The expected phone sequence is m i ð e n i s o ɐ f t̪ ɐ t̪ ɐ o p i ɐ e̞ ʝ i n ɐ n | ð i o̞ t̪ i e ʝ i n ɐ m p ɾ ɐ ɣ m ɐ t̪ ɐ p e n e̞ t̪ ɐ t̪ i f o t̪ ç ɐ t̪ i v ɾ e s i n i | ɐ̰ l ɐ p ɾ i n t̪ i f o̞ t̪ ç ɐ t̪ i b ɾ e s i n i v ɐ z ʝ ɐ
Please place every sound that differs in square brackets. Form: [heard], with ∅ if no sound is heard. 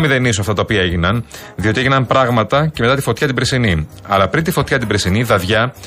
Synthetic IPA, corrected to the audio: m i ð e n i s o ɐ f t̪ ɐ t̪ ɐ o p i ɐ e̞ ʝ i n ɐ n | ð i o̞ t̪ i e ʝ i n ɐ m p ɾ ɐ ɣ m ɐ t̪ ɐ [c] e [m] e̞ t̪ ɐ t̪ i f o t̪ ç ɐ t̪ i [b] ɾ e s i n i | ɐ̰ l ɐ p ɾ i n t̪ i f o̞ t̪ ç ɐ t̪ i b ɾ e s i n i [ð] ɐ [ð] ʝ ɐ